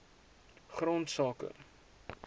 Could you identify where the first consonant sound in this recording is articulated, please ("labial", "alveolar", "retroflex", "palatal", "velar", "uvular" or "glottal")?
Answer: uvular